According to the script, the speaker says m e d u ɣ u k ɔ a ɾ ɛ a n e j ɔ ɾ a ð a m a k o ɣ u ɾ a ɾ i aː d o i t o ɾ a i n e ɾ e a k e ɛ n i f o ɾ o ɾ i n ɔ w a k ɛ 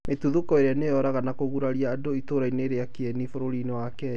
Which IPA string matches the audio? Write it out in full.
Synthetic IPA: m e t u ð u k ɔ e ɾ e a n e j ɔ ɾ a ɣ a n a k o ɣ u ɾ a ɾ i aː d o i t o ɾ a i n e ɾ e a k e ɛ n i f o ɾ o ɾ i n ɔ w a k ɛ